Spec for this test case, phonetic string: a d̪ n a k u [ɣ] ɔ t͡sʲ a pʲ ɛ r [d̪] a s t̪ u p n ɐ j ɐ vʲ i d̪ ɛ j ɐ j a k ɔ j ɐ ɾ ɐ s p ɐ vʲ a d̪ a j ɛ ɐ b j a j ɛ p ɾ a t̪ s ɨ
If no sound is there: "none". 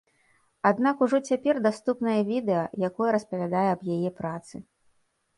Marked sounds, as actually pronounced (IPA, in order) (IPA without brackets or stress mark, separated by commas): ʐ, d̪